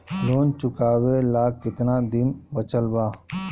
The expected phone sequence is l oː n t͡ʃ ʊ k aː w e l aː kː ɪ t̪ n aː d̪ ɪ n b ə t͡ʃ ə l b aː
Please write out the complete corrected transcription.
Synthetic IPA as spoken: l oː n t͡ʃ ʊ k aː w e l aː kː ɪ t̪ n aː d̪ ɪ n b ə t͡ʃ ə l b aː